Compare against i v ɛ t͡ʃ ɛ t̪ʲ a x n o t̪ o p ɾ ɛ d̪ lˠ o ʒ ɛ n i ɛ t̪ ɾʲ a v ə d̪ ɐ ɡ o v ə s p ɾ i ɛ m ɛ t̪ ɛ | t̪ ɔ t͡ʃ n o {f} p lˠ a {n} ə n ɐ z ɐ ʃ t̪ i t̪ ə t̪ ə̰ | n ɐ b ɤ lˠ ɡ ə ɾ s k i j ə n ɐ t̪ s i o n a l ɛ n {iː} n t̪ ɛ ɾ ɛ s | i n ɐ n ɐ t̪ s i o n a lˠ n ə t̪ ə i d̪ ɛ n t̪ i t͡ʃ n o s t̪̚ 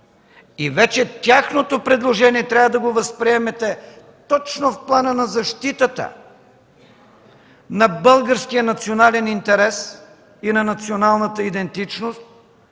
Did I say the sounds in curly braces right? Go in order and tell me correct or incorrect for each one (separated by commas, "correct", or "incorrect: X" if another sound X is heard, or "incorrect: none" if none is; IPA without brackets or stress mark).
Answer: correct, correct, incorrect: i